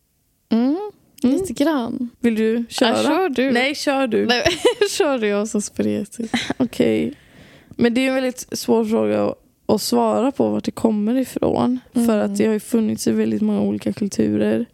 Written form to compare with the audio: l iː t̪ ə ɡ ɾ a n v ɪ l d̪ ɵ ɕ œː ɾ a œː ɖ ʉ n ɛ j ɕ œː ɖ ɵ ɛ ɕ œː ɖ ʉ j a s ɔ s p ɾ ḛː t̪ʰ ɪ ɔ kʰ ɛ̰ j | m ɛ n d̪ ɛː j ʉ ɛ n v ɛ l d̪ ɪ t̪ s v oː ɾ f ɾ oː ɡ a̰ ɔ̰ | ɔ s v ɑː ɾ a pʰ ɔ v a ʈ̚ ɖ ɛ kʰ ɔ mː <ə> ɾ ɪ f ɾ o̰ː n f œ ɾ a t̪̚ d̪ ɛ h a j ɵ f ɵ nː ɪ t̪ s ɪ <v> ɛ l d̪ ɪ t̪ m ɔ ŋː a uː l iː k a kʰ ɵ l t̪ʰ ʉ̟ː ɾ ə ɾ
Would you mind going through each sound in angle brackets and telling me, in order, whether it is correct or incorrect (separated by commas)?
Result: correct, correct